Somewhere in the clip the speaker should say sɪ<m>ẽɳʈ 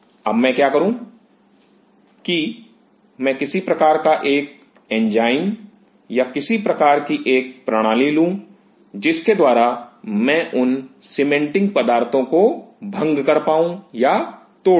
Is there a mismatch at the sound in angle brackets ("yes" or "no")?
no